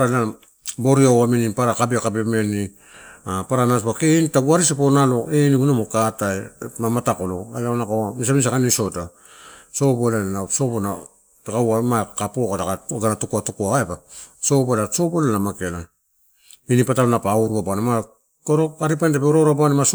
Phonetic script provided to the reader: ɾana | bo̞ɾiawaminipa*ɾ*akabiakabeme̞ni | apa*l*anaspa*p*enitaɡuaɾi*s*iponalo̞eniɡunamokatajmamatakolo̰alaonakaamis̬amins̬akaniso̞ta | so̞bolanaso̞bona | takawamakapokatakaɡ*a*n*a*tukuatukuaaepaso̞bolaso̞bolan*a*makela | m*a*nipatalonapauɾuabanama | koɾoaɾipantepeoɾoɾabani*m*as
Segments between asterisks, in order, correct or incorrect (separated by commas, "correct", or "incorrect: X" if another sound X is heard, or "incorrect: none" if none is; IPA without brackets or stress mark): correct, incorrect: ɾ, incorrect: k, correct, correct, correct, correct, incorrect: i, correct